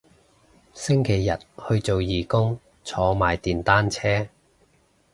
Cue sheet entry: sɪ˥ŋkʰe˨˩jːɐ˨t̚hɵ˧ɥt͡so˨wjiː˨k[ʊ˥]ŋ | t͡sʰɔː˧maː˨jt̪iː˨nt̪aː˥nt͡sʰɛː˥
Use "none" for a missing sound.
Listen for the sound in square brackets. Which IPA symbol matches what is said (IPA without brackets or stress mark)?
ʊ˥